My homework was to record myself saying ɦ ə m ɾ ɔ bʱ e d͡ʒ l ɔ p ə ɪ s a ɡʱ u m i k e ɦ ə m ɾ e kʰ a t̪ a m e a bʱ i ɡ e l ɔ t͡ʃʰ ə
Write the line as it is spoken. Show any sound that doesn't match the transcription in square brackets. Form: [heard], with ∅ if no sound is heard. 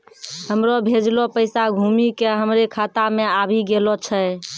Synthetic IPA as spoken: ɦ ə m ɾ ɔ bʱ e d͡ʒ l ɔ p ə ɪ s a ɡʱ u m i k e ɦ ə m ɾ e kʰ a t̪ a m e a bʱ i ɡ e l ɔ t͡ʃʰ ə